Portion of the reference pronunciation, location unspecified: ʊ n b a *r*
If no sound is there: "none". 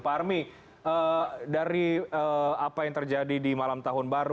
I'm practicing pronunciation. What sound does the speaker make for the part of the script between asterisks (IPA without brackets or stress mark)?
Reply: ɾ